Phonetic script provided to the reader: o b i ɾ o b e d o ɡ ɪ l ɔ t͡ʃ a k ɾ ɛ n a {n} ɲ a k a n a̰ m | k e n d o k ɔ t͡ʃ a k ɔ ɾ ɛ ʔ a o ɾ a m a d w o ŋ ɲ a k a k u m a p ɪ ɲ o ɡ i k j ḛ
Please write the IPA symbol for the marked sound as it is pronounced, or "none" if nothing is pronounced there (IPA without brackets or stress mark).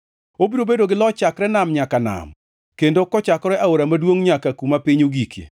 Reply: m